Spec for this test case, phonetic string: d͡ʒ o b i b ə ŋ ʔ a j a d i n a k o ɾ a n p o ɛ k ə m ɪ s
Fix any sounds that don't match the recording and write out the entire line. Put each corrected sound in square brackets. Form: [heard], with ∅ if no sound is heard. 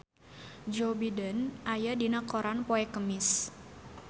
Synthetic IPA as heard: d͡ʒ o b i [d] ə [n] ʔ a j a d i n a k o ɾ a n p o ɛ k ə m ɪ s